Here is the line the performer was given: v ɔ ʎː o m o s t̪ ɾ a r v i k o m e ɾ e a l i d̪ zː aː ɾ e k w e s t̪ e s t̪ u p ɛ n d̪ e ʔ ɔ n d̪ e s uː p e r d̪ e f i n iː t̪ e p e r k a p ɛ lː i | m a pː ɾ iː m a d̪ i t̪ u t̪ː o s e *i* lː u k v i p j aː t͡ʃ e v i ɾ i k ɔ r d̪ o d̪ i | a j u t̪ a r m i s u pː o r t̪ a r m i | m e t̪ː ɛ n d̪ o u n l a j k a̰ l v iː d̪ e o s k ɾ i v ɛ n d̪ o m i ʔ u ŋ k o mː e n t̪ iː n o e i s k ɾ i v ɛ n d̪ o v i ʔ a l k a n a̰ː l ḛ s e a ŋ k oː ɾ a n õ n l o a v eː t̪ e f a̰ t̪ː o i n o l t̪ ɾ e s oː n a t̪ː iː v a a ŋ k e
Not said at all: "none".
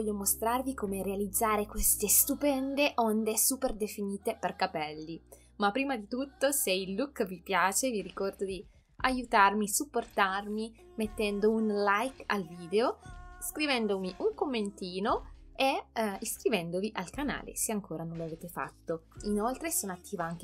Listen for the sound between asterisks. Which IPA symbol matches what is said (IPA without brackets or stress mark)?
i